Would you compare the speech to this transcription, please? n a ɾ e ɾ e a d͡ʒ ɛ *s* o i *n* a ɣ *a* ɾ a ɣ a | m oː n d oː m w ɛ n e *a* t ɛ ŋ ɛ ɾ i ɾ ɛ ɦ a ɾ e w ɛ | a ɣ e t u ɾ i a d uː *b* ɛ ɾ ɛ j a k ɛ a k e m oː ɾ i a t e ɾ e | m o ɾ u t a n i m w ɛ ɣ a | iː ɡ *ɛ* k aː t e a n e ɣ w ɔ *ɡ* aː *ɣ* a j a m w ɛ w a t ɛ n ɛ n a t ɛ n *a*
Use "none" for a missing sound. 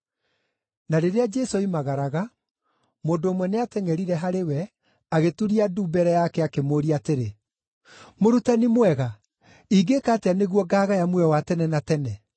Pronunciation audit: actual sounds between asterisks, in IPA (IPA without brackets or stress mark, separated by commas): s, m, a, a, b, e, ɡ, ɣ, ɛ